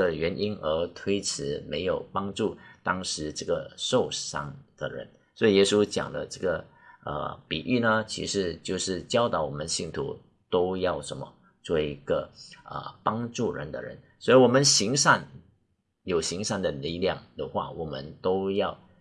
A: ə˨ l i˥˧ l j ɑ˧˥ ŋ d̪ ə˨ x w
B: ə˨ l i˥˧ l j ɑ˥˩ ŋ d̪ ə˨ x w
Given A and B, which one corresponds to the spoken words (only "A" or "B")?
B